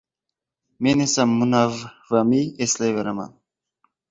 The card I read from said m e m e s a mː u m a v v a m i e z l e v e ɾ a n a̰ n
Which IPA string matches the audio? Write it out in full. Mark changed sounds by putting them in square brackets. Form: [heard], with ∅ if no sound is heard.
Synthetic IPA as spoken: m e [n] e s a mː u [n] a v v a m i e [s] l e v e ɾ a [m] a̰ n